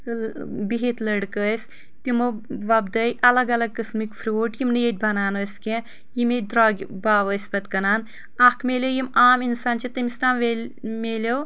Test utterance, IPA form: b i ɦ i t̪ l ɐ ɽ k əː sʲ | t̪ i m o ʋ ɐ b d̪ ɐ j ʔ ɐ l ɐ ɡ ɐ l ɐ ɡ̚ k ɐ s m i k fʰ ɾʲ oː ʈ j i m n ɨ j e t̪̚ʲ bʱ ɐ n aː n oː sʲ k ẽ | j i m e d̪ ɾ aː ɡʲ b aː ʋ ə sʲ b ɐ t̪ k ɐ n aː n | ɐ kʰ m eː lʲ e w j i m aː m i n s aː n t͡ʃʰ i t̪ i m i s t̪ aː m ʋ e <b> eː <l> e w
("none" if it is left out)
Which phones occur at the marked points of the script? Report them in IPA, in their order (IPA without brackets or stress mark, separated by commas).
m, l